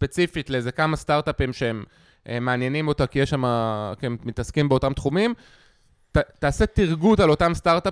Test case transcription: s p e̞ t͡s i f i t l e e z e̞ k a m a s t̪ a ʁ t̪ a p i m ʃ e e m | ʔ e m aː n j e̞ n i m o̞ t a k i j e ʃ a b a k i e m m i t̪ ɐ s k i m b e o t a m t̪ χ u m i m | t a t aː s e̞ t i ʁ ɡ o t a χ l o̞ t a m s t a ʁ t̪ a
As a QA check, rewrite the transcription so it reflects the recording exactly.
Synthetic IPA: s p e̞ t͡s i f i t l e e z e̞ k a m a s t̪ a ʁ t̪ a p i m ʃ e e m | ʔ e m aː n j e̞ n i m o̞ t a k i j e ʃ a m a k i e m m i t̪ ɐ s k i m b e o t a m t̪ χ u m i m | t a t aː s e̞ t i ʁ ɡ u t a l o̞ t a m s t a ʁ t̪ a